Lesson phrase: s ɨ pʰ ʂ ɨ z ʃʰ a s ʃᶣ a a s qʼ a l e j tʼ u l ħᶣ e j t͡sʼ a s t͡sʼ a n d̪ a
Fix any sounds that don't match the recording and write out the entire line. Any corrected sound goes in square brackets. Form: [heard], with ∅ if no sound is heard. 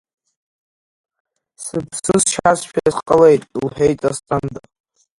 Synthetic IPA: s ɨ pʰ [s] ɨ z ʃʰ a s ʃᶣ a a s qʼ [ə] l e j tʼ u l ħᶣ e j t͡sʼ a s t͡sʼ a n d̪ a

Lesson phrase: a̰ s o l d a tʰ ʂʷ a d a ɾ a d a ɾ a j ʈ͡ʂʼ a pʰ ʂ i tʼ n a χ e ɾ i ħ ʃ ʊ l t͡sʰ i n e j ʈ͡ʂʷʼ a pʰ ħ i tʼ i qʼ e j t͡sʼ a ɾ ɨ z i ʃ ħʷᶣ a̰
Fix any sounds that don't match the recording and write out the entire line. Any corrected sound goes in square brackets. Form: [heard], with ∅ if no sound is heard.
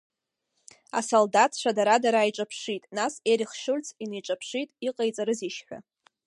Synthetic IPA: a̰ s o l d a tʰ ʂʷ a d a ɾ a d a ɾ a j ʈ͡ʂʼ a pʰ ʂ i tʼ n a [s] e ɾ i [χ] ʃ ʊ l t͡sʰ i n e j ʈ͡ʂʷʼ a pʰ [ʂ] i tʼ i qʼ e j t͡sʼ a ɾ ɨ z i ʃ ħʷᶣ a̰

